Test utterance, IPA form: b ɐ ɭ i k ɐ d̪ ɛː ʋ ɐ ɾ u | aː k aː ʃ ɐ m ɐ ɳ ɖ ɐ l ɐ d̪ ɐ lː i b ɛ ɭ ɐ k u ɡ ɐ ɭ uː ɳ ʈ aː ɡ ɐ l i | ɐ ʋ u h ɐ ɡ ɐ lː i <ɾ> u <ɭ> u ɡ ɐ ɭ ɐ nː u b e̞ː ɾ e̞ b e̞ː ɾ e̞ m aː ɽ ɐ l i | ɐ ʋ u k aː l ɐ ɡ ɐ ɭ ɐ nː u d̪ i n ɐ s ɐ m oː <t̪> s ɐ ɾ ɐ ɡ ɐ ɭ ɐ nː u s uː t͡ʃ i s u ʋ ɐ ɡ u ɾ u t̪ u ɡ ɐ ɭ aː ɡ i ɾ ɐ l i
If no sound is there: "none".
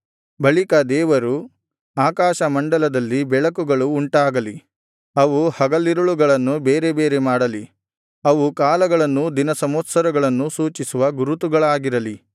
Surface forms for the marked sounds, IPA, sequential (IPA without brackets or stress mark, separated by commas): ɾ, ɭ, t̪